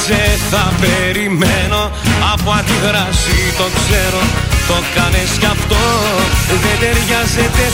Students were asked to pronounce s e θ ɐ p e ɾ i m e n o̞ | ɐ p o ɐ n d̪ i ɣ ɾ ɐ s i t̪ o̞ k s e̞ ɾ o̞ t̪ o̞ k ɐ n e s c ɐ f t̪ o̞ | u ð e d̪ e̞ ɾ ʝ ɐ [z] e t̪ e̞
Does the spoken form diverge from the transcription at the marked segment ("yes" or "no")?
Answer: no